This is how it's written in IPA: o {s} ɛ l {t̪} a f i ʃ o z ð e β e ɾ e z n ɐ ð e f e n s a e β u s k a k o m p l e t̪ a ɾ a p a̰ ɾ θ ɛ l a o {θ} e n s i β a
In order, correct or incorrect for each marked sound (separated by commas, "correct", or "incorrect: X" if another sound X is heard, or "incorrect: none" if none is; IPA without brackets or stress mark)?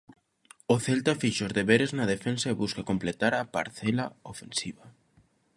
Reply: incorrect: θ, correct, incorrect: f